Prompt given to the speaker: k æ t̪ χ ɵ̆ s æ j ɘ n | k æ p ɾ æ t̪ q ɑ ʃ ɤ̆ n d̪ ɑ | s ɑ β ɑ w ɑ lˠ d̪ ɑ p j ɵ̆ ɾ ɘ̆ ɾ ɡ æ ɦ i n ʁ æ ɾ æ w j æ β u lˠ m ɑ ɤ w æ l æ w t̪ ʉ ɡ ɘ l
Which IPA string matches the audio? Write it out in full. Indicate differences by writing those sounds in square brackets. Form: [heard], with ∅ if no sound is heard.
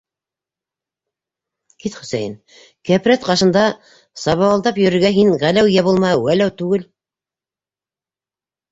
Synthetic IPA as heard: k [i] t̪ χ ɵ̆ s æ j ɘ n | k æ p ɾ æ t̪ q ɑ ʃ ɤ̆ n d̪ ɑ | s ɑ β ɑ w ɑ lˠ d̪ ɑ p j ɵ̆ ɾ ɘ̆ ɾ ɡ æ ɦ i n ʁ æ [l] æ w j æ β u lˠ m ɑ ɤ w æ l æ w t̪ ʉ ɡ ɘ l